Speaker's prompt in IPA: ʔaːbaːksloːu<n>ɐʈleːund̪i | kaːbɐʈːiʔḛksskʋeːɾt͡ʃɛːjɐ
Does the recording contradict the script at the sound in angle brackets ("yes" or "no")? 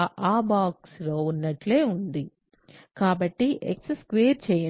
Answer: yes